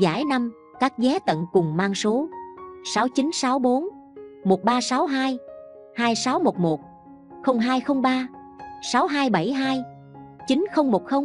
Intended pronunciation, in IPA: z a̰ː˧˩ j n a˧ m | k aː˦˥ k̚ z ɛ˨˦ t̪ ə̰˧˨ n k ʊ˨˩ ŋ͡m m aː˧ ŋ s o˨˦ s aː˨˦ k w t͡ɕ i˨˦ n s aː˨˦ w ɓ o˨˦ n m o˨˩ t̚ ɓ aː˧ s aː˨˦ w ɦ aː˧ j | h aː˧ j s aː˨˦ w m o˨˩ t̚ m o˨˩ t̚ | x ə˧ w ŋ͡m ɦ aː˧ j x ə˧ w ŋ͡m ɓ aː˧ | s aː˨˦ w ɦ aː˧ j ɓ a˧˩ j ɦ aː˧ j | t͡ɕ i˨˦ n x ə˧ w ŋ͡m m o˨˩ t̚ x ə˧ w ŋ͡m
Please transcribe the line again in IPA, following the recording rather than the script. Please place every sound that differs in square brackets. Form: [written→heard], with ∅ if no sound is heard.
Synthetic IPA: z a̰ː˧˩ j n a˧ m | k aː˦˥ k̚ z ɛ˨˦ t̪ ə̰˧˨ n k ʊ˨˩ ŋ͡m m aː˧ ŋ s o˨˦ s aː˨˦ [k→∅] w t͡ɕ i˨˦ n s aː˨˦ w ɓ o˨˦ n m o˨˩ t̚ ɓ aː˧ s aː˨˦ w ɦ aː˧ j | h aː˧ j s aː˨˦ w m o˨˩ t̚ m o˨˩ t̚ | x ə˧ w ŋ͡m ɦ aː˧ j x ə˧ w ŋ͡m ɓ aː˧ | s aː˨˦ w ɦ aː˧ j ɓ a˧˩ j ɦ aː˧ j | t͡ɕ i˨˦ n x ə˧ w ŋ͡m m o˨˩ t̚ x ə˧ w ŋ͡m